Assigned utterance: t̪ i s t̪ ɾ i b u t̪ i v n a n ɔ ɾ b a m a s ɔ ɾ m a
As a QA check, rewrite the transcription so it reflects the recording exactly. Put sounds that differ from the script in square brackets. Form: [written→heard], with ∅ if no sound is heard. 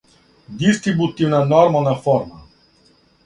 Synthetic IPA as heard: [t̪→d̪] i s t̪ ɾ i b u t̪ i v n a n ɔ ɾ [b→m] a [m→n] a [s→f] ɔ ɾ m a